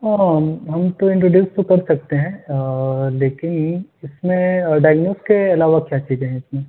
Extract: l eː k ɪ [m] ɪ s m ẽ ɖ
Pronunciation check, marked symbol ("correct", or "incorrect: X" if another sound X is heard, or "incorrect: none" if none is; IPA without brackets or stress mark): incorrect: n